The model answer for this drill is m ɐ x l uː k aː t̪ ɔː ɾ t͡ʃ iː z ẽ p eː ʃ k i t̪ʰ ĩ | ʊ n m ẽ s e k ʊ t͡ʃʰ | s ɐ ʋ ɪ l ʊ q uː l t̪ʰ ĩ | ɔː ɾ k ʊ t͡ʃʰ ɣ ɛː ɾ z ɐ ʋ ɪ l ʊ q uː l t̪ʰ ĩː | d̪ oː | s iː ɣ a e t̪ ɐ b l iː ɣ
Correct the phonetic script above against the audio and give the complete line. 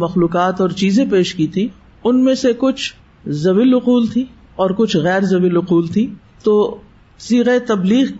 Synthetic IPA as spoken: m ɐ x l uː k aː t̪ ɔː ɾ t͡ʃ iː z ẽ p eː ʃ k i t̪ʰ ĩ | ʊ n m ẽ s e k ʊ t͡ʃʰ | z ɐ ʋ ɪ l ʊ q uː l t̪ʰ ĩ | ɔː ɾ k ʊ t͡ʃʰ ɣ ɛː ɾ z ɐ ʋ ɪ l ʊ q uː l t̪ʰ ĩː | t̪ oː | s iː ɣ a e t̪ ɐ b l iː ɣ